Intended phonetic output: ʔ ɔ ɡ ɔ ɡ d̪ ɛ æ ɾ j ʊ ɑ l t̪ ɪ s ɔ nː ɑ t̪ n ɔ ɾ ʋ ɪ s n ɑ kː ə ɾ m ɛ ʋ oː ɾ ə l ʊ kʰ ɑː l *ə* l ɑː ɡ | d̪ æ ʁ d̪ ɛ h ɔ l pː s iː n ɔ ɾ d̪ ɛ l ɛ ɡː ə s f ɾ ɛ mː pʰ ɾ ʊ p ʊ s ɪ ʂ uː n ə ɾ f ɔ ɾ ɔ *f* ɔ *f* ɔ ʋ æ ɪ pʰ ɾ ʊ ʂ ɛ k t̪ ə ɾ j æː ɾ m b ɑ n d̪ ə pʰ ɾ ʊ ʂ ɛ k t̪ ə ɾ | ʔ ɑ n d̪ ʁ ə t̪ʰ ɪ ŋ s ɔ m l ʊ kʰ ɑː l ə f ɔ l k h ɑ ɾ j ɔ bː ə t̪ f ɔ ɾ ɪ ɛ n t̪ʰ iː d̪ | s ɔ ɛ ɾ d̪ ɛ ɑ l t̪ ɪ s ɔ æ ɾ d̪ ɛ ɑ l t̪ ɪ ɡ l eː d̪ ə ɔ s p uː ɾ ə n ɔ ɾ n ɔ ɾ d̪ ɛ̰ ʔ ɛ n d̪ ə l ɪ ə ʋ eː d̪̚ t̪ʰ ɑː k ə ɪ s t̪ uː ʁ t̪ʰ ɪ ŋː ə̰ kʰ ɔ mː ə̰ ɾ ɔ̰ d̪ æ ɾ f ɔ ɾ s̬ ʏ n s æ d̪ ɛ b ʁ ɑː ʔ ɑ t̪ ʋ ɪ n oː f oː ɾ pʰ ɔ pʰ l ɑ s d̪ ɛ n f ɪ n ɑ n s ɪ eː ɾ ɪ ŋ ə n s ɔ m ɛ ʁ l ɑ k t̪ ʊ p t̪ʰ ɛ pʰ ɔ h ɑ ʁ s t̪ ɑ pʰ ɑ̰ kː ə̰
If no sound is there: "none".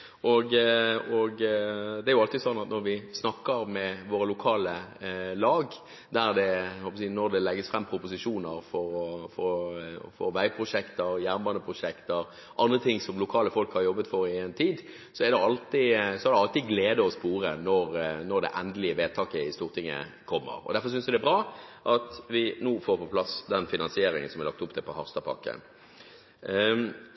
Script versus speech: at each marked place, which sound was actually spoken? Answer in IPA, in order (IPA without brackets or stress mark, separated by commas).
ə, f, f